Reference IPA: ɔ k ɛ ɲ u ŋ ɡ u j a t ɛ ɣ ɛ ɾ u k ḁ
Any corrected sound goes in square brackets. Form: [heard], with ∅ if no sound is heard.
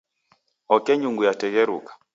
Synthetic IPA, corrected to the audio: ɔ k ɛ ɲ u ŋ ɡ u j a t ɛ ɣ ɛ ɾ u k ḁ